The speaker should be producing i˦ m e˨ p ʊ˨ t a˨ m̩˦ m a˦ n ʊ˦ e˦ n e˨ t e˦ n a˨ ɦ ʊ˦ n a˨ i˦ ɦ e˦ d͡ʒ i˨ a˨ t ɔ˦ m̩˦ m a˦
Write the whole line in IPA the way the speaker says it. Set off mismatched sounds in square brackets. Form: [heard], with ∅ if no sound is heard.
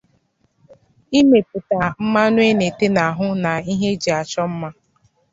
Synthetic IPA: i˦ m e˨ p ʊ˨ t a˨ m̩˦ m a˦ n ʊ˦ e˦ n e˨ t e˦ n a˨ ɦ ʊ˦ n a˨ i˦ ɦ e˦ d͡ʒ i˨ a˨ [t͡ʃ] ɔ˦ m̩˦ m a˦